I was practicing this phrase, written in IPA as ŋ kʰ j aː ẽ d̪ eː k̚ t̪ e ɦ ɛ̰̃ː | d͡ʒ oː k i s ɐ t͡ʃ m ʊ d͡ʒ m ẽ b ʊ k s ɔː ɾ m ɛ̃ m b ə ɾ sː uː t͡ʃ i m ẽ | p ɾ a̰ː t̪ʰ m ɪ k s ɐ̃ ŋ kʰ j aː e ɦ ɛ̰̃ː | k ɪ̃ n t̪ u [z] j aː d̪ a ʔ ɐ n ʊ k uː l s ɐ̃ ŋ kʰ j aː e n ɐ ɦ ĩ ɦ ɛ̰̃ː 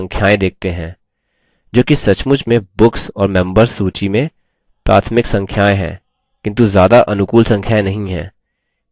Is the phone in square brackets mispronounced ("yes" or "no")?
no